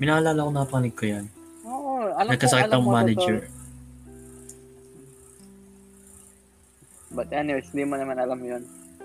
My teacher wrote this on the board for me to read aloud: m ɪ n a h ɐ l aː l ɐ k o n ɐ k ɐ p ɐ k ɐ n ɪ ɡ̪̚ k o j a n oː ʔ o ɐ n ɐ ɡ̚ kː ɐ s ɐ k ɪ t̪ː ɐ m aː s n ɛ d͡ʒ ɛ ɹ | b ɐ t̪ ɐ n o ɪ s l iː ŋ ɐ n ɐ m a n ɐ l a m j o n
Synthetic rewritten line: m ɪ n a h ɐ l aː l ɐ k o n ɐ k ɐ p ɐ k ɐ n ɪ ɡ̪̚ k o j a n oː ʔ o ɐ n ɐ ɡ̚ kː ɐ s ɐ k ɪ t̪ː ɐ m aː n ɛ d͡ʒ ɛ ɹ | b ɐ t̪ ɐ n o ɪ s l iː m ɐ n ɐ m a n ɐ l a m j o n